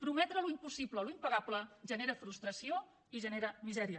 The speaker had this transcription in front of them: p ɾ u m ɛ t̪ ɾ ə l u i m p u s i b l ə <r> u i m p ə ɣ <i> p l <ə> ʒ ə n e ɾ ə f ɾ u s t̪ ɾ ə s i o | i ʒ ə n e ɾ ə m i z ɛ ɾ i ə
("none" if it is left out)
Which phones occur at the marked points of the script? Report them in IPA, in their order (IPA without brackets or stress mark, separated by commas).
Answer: l, a, ə